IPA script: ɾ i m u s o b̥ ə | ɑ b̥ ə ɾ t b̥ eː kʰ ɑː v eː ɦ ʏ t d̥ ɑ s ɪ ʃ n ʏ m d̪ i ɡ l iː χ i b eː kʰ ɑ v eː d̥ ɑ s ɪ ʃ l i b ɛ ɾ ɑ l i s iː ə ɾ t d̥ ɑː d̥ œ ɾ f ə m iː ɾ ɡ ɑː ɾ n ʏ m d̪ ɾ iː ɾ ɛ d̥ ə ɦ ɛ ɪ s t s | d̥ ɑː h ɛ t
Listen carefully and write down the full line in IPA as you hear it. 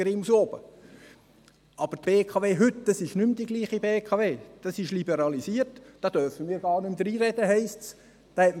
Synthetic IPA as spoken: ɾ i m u s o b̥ ə | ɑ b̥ ə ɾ t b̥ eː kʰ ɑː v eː ɦ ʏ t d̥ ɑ s ɪ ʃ n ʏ m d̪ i ɡ l iː χ i b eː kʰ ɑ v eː d̥ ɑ s ɪ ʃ l i b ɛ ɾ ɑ l i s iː ə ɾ t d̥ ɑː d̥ œ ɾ f ə m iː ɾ ɡ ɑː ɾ n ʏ m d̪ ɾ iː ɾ ɛ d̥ ə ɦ ɛ ɪ s t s | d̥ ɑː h ɛ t